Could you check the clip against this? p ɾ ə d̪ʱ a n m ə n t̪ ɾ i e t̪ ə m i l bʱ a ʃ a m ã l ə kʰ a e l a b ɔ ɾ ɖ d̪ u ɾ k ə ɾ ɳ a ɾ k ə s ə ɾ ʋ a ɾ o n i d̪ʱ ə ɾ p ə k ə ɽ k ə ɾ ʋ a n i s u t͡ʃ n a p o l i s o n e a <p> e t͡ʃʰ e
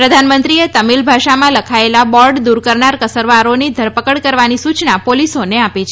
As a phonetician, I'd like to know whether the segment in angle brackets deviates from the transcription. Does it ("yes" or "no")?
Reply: no